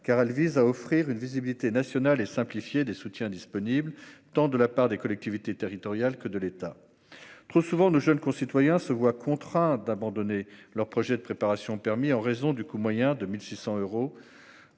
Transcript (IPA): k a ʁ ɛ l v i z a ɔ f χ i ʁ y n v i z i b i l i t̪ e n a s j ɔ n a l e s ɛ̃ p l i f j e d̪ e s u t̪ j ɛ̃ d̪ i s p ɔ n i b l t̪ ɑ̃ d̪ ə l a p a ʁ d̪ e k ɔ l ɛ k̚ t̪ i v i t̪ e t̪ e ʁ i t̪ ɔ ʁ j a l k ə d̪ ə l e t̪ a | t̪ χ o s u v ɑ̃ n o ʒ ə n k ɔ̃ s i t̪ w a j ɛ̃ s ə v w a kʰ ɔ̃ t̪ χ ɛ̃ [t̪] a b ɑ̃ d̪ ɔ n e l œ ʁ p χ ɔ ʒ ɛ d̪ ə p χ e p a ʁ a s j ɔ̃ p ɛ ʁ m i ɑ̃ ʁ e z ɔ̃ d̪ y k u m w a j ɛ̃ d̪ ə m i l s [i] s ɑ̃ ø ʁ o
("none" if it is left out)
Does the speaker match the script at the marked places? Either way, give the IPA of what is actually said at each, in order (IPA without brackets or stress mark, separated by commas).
d̪, i